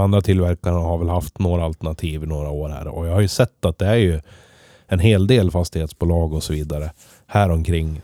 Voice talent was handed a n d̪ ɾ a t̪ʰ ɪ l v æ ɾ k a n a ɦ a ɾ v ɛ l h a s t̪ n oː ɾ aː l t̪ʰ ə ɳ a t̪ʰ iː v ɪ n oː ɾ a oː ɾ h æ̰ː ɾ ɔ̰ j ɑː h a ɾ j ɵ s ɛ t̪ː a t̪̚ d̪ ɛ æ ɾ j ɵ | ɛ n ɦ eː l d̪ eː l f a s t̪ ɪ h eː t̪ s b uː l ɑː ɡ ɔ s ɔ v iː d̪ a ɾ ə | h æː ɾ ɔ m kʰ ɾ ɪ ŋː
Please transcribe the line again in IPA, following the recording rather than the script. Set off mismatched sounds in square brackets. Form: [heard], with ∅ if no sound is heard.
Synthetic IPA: a n d̪ ɾ a t̪ʰ ɪ l v æ ɾ k a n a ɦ a ɾ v ɛ l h a [f] t̪ n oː ɾ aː l [t̪] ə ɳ a t̪ʰ iː v ɪ n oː ɾ a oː ɾ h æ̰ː ɾ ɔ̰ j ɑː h a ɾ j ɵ s ɛ t̪ː a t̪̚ d̪ ɛ æ ɾ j ɵ | ɛ n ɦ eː l d̪ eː l f a s t̪ ɪ h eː t̪ s b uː l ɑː ɡ ɔ s ɔ v iː d̪ a ɾ ə | h æː ɾ ɔ m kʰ ɾ ɪ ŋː